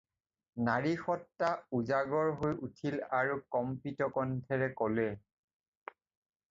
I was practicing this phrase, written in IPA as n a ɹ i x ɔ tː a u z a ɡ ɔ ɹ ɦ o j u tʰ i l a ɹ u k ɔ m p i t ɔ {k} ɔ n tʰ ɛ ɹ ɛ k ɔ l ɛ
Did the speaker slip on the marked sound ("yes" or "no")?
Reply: no